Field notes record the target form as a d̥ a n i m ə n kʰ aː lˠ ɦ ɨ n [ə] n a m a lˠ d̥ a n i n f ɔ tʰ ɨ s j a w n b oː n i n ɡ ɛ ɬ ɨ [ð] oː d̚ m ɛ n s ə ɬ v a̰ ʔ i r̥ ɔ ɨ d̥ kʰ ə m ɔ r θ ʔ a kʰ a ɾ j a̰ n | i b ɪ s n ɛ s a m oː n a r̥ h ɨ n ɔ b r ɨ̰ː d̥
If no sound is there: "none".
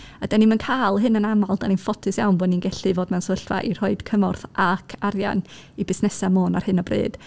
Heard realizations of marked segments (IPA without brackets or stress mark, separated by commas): ə, v